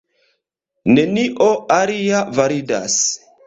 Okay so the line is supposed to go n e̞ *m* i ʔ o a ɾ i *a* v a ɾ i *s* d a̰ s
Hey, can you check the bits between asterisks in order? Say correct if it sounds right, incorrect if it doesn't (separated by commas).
incorrect, correct, incorrect